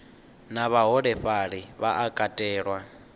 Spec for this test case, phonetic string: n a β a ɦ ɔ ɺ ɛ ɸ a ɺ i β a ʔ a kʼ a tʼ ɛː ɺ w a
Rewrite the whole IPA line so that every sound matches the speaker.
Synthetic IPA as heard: n a β a ɦ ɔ ɺ ɛ ɸ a ɺ i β a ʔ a kʼ a tʼ ɛː ɺ w a